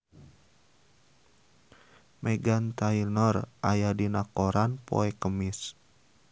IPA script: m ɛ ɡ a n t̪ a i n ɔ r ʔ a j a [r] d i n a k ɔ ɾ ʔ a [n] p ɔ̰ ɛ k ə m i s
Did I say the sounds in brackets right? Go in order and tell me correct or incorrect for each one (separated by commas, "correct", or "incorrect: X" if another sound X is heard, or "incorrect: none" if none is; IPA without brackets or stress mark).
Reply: incorrect: none, correct